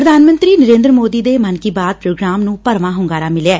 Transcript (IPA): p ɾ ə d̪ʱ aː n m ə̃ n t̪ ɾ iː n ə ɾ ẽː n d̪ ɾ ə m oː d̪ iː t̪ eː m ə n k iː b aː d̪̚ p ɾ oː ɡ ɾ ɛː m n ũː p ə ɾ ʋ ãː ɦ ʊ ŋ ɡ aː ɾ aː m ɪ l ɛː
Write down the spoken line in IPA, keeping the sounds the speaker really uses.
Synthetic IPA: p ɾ ə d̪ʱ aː n m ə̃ n t̪ ɾ iː n ə ɾ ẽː n d̪ ɾ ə m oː d̪ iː d̪ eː m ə n k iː b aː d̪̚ p ɾ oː ɡ ɾ aː m n ũː p ə ɾ ʋ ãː ɦ ʊ ŋ ɡ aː ɾ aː m ɪ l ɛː